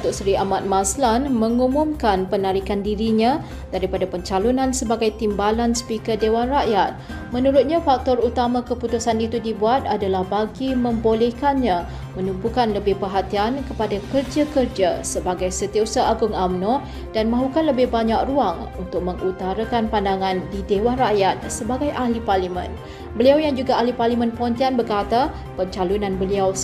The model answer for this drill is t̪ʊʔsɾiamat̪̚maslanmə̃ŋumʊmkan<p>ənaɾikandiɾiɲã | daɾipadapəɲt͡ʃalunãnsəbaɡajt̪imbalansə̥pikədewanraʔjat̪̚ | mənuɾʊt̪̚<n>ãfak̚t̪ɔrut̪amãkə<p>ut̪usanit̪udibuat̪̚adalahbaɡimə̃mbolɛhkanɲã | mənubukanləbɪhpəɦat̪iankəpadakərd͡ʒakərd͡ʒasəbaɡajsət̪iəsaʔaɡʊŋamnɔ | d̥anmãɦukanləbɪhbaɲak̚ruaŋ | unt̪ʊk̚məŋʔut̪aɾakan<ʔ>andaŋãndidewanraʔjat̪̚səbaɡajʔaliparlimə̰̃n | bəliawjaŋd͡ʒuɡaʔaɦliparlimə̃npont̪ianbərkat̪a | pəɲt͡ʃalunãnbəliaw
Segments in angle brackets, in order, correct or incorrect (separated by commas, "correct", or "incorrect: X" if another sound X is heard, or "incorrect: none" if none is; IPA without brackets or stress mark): correct, incorrect: ɲ, correct, incorrect: p